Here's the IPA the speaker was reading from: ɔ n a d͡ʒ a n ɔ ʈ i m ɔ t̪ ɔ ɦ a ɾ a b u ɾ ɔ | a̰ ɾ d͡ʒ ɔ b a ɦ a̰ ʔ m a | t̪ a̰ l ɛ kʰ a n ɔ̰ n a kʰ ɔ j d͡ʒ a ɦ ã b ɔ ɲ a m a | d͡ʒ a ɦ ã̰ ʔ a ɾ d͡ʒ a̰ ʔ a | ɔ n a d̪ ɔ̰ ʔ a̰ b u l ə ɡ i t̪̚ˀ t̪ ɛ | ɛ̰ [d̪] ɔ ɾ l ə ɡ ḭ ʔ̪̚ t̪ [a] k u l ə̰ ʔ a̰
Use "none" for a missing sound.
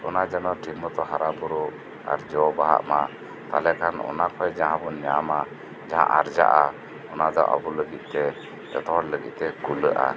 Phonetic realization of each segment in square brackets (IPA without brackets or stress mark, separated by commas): t̪, ɛ